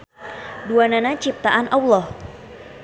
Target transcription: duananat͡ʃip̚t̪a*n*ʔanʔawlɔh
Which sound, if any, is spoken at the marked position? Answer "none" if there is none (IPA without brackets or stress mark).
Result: none